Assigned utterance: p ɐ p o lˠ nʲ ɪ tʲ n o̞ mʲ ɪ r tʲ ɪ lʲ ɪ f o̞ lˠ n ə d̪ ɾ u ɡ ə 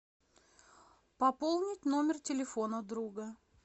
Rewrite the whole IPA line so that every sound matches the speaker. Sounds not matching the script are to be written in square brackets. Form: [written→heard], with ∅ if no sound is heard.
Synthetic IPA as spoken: p ɐ p o lˠ nʲ ɪ tʲ n o̞ mʲ ɪ r tʲ ɪ lʲ ɪ f o̞ [lˠ→∅] n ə d̪ ɾ u ɡ ə